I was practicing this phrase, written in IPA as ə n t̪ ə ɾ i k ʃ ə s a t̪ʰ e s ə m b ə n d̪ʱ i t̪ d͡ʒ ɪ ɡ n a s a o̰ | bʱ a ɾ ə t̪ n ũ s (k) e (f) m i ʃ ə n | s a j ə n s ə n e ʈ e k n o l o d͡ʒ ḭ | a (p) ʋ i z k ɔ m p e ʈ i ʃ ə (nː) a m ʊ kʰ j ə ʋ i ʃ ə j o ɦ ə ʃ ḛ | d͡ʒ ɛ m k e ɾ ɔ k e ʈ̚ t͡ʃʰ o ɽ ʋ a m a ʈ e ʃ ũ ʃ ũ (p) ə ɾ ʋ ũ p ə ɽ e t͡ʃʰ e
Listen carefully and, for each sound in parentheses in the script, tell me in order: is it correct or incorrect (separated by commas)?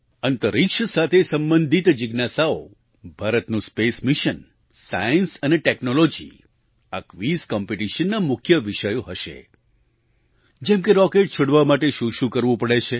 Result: incorrect, incorrect, incorrect, correct, incorrect